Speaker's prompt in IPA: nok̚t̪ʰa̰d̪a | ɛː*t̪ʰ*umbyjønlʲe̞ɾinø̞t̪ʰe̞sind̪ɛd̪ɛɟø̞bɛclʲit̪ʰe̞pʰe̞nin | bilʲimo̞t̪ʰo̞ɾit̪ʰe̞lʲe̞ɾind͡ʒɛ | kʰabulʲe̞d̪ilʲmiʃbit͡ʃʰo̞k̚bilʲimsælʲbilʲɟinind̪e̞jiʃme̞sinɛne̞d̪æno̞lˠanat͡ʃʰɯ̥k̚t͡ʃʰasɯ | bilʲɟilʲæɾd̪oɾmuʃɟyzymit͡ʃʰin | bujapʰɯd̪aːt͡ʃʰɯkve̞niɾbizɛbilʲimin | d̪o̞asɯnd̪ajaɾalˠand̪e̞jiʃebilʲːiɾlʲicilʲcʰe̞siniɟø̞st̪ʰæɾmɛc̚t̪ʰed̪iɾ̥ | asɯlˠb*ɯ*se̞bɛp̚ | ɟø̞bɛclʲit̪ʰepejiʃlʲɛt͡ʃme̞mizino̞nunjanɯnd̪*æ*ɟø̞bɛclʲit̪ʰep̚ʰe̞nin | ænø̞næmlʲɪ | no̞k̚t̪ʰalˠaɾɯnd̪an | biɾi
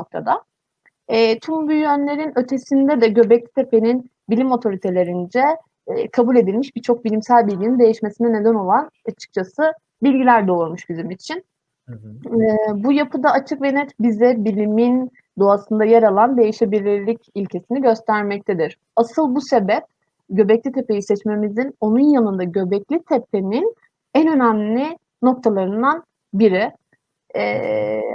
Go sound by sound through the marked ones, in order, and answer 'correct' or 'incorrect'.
correct, incorrect: u, incorrect: a

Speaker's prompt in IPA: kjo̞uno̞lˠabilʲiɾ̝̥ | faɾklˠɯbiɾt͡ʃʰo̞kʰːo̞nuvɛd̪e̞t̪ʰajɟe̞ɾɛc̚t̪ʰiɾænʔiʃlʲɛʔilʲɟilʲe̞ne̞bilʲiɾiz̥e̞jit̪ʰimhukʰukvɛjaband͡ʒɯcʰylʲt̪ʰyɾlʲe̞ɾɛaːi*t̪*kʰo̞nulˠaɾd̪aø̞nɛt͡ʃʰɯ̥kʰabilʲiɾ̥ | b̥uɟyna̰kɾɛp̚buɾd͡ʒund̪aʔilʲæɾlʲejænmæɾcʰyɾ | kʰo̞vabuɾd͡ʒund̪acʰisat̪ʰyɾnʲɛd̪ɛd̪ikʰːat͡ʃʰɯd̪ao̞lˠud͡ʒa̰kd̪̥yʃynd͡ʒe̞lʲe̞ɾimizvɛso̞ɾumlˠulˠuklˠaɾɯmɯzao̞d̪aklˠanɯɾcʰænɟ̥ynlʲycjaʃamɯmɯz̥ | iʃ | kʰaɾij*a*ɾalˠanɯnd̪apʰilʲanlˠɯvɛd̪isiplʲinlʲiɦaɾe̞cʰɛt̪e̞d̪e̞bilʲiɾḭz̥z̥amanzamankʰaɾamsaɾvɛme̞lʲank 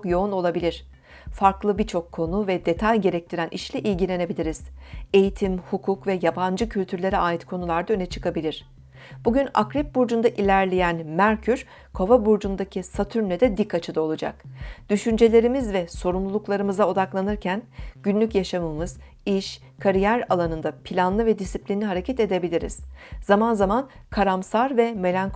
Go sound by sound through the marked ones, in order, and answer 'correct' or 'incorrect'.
correct, incorrect: æ

